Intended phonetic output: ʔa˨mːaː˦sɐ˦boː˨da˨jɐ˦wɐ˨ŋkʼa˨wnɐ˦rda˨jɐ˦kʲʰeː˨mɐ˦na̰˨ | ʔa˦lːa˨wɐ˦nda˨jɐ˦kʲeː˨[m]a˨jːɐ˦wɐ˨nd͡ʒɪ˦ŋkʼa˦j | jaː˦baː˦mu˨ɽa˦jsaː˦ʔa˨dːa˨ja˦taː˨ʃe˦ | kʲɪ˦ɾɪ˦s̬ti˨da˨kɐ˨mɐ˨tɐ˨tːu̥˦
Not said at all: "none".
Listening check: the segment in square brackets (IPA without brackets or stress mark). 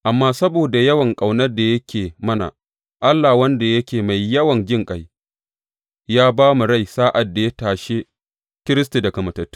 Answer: m